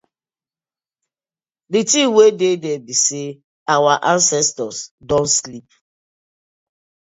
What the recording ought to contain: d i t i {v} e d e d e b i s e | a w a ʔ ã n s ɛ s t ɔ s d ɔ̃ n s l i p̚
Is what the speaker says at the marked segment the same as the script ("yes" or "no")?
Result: no